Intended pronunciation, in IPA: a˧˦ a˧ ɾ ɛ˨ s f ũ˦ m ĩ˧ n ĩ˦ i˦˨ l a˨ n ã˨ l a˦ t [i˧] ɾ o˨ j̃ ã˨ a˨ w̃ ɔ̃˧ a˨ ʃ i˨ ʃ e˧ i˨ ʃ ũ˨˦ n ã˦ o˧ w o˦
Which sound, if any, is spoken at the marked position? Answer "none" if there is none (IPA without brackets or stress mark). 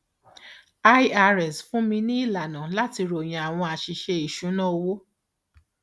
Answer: i˧